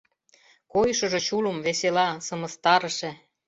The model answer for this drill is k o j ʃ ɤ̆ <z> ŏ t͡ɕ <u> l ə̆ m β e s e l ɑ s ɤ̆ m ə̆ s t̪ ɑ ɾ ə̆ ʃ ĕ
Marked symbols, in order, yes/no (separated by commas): no, yes